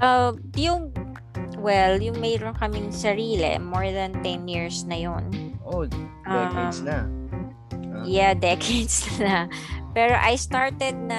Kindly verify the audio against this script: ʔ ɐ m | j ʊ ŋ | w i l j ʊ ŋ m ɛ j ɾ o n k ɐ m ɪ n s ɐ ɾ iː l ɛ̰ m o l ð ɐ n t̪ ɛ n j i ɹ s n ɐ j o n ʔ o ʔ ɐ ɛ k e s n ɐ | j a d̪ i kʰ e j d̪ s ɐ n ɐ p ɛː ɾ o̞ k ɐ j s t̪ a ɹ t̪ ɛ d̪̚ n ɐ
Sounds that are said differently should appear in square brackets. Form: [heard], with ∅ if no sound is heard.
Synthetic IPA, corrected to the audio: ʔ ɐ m | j ʊ ŋ | w [ɛ] l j ʊ ŋ m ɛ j ɾ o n k ɐ m ɪ [ŋ] s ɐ ɾ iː l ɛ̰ m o [ɹ] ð ɐ n t̪ ɛ n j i ɹ s n ɐ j o n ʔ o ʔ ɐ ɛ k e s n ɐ | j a d̪ [ɛ] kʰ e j d̪ s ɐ n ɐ p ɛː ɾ o̞ [ʔ] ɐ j s t̪ a ɹ t̪ ɛ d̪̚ n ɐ